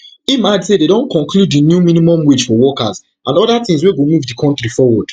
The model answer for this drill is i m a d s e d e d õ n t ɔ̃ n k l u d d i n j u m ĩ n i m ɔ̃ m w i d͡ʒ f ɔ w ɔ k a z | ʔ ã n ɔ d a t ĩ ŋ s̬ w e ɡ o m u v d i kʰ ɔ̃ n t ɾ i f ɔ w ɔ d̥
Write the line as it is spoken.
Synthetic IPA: i m a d s e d e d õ n k ɔ̃ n k l u d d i n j u m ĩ n i m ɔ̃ m w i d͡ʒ f ɔ w ɔ k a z | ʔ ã n ɔ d a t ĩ ŋ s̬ w e ɡ o m u v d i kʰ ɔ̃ n t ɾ i f ɔ w ɔ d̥